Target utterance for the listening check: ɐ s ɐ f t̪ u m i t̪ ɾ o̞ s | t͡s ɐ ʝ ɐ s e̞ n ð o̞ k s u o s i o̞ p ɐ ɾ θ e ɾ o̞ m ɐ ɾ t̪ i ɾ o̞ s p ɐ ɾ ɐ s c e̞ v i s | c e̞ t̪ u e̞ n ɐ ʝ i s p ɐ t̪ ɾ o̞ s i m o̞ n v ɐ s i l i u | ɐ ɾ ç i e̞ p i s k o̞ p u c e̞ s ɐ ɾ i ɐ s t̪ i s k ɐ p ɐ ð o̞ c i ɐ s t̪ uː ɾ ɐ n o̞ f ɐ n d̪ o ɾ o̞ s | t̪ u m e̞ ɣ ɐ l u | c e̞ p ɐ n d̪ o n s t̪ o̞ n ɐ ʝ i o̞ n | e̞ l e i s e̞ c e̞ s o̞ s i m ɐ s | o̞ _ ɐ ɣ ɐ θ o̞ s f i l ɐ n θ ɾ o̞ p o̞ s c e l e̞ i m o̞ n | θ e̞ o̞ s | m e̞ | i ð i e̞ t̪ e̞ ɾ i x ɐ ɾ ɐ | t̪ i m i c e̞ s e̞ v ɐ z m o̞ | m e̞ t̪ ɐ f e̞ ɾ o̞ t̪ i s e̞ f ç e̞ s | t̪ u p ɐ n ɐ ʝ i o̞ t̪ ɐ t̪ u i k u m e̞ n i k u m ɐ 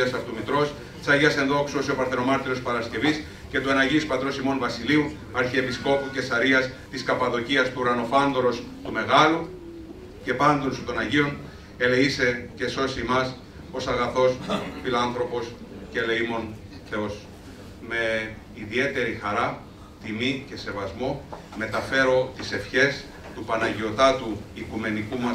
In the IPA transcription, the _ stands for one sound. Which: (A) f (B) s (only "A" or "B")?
B